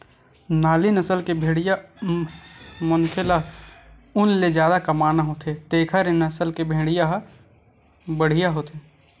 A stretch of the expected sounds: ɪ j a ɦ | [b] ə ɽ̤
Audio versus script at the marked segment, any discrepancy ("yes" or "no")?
no